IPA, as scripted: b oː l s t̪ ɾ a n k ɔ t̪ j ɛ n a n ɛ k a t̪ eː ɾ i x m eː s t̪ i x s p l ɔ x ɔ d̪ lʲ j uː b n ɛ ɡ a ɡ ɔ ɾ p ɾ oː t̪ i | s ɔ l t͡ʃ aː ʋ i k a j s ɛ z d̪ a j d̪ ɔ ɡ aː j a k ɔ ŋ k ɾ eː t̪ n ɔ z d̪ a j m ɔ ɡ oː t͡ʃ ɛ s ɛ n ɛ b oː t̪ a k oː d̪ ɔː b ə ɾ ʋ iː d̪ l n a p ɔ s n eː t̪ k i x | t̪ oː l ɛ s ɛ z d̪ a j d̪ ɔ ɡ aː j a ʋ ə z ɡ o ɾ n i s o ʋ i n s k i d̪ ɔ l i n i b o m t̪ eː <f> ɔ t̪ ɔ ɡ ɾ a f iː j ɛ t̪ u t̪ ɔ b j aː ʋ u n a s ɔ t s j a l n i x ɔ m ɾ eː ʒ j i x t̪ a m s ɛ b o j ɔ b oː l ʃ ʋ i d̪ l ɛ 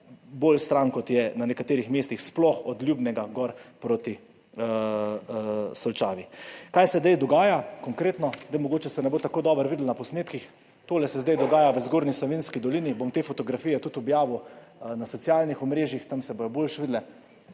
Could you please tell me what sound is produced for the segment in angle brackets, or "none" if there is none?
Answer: f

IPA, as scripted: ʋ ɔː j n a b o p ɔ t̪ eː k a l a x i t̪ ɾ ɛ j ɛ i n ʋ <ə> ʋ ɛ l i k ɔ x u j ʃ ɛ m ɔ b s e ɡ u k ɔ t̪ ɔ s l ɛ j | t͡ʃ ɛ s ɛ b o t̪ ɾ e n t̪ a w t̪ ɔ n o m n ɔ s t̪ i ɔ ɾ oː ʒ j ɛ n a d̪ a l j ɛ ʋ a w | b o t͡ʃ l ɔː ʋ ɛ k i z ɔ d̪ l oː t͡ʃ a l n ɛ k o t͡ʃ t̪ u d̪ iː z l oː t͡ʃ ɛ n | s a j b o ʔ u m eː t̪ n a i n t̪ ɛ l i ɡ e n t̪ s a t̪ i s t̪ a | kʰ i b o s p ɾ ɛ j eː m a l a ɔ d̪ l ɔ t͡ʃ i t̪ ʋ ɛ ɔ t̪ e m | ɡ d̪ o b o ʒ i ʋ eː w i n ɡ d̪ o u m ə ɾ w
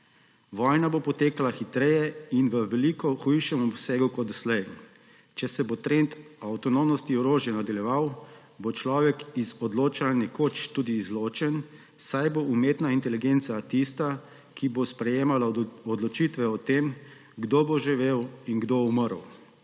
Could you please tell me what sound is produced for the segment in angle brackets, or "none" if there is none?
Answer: ə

